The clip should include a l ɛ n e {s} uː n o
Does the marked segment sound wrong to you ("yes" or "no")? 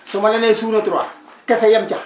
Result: no